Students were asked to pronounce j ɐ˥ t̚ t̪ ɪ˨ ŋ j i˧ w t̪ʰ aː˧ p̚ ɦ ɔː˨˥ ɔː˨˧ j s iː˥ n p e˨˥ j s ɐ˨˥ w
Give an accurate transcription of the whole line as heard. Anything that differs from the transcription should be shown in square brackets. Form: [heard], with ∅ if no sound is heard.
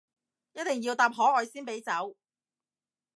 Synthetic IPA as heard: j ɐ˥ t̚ t̪ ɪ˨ ŋ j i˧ w [t̪] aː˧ p̚ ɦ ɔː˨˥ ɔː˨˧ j s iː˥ n p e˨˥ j [t͡s] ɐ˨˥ w

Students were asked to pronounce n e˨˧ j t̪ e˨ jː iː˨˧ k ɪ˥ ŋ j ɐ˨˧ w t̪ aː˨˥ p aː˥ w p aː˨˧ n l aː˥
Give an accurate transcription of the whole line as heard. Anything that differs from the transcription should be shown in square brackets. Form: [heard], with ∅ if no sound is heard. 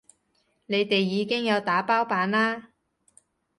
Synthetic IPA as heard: n e˨˧ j t̪ e˨ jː iː˨˧ k ɪ˥ ŋ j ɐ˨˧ w t̪ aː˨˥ p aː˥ w p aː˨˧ n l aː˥

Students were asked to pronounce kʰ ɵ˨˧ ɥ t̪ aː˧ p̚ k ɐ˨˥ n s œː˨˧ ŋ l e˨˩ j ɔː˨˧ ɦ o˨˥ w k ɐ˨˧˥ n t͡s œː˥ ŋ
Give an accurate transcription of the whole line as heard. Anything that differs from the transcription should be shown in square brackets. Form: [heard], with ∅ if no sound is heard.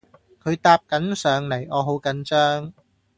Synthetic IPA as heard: kʰ ɵ˨˧ ɥ t̪ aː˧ p̚ k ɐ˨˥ n s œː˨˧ ŋ l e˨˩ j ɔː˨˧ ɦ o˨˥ w k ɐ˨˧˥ n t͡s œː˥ ŋ

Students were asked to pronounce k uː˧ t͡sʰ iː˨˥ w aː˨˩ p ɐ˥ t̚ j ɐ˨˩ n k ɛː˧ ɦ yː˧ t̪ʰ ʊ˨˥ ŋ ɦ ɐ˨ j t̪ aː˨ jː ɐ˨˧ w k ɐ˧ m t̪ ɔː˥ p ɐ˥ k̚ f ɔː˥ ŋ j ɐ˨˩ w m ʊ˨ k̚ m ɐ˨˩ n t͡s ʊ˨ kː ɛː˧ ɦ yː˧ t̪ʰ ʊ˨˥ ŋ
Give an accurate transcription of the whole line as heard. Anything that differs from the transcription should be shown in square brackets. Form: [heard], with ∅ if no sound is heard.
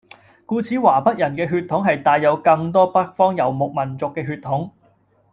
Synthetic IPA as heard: k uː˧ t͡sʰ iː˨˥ w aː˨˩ p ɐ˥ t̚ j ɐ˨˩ n k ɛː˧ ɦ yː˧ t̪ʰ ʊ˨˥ ŋ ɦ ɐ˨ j t̪ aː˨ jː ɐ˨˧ w k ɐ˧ [ŋ] t̪ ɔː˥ p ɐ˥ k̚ f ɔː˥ ŋ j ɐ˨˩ w m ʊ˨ k̚ m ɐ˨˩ n t͡s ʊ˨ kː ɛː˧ ɦ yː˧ t̪ʰ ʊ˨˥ ŋ

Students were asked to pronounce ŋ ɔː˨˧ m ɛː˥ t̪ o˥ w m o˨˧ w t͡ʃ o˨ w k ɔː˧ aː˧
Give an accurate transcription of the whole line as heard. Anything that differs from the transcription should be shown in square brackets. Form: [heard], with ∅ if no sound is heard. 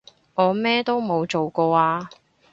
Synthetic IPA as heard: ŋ ɔː˨˧ m ɛː˥ t̪ o˥ w m o˨˧ w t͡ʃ o˨ w k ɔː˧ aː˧

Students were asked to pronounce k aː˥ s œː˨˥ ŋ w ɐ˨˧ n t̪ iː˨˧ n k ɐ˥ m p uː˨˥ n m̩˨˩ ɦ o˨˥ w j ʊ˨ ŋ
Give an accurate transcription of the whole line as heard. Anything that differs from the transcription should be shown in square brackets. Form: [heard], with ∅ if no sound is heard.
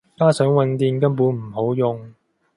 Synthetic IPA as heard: k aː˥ s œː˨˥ ŋ w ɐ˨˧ n t̪ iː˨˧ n k ɐ˥ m p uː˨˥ n m̩˨˩ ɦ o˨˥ w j ʊ˨ ŋ

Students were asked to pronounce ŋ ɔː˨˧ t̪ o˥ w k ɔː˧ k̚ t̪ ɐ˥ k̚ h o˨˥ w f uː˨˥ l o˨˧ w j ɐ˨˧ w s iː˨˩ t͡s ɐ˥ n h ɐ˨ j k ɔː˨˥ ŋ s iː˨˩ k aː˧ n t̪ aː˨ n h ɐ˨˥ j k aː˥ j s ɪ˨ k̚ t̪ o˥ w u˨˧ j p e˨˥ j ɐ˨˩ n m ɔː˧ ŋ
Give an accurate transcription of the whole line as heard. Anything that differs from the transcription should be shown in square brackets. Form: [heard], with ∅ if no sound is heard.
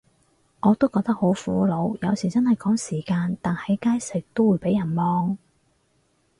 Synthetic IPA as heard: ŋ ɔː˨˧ t̪ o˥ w k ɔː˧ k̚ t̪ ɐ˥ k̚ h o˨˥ w f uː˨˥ l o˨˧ w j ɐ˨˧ w s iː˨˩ t͡s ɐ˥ n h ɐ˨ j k ɔː˨˥ ŋ s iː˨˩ k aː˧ n t̪ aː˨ n h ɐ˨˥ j k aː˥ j s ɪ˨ k̚ t̪ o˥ w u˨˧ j p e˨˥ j ɐ˨˩ n m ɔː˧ ŋ

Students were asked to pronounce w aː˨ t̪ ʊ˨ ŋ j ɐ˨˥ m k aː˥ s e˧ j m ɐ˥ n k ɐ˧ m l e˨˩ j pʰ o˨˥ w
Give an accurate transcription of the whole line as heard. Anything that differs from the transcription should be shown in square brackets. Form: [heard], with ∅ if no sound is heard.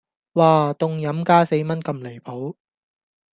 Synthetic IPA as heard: w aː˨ t̪ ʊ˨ ŋ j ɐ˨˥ m k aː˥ s e˧ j m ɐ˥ n k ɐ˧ m l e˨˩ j pʰ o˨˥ w

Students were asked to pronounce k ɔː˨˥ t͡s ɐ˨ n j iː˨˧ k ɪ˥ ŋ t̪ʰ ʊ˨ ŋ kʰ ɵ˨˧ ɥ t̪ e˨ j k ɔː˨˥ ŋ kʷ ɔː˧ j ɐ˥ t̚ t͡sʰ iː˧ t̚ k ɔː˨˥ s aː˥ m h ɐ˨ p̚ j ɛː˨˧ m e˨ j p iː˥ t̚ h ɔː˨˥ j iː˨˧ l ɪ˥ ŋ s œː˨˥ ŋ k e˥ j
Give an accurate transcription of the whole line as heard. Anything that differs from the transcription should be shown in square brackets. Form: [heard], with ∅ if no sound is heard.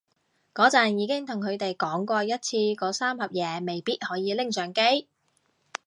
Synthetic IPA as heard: k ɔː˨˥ t͡s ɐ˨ n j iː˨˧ k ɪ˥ ŋ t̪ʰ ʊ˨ ŋ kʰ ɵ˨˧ ɥ t̪ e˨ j k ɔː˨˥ ŋ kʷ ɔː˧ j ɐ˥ t̚ t͡sʰ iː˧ [∅] k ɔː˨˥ s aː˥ m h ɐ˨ p̚ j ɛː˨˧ m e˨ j p iː˥ t̚ h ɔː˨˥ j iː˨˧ l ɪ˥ ŋ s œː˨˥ ŋ k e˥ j

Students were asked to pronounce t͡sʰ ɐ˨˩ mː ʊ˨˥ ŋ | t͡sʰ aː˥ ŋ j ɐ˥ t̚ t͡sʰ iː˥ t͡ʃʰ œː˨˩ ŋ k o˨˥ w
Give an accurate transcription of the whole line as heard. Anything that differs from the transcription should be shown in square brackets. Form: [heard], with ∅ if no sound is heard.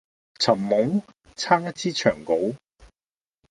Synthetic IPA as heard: t͡sʰ ɐ˨˩ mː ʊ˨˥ ŋ | t͡sʰ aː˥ ŋ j ɐ˥ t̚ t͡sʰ iː˥ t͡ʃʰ œː˨˩ ŋ k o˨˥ w

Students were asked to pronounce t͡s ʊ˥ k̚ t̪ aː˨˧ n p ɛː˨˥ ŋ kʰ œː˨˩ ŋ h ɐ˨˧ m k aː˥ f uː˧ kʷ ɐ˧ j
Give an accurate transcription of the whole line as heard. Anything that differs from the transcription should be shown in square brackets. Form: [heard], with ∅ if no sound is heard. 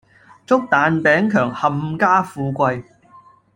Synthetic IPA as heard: t͡s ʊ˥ k̚ t̪ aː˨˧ n p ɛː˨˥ ŋ kʰ œː˨˩ ŋ h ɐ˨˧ m k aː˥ f uː˧ kʷ ɐ˧ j

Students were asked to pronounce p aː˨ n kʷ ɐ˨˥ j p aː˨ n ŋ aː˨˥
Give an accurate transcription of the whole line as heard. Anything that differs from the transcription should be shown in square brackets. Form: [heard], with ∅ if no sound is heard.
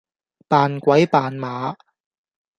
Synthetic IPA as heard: p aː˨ n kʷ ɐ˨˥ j p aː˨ n [m] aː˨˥

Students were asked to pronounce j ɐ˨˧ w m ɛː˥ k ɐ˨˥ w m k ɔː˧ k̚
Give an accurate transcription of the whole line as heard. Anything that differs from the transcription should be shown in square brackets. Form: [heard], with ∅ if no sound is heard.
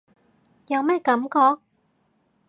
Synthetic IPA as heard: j ɐ˨˧ w m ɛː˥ k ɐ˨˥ [∅] m k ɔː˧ k̚

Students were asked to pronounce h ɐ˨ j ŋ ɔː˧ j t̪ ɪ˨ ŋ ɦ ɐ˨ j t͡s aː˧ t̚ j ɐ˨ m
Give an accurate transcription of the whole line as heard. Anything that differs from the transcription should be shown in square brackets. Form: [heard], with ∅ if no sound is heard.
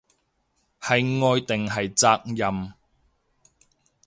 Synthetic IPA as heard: h ɐ˨ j ŋ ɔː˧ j t̪ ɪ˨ ŋ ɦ ɐ˨ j t͡s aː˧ [k̚] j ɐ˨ m

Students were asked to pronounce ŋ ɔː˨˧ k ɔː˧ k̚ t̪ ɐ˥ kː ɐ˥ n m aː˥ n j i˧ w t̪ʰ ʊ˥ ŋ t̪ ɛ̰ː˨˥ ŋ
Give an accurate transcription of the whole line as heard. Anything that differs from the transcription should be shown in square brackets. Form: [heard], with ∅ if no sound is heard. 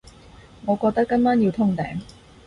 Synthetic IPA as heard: ŋ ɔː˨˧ k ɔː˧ k̚ t̪ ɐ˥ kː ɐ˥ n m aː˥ n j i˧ w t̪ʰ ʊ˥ ŋ t̪ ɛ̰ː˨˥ ŋ

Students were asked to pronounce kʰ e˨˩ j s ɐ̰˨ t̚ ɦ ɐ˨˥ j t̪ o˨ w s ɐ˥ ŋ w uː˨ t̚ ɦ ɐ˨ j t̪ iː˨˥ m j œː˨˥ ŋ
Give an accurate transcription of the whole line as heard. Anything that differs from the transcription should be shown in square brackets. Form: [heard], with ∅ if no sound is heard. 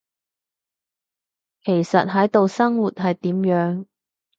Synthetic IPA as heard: kʰ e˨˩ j s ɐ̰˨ t̚ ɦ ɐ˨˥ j t̪ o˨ w s ɐ˥ ŋ w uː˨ t̚ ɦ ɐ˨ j t̪ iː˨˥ m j œː˨˥ ŋ

